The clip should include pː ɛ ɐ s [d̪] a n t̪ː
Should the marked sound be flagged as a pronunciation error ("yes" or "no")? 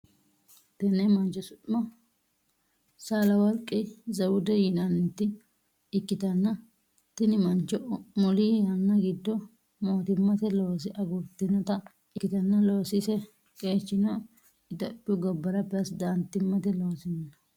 no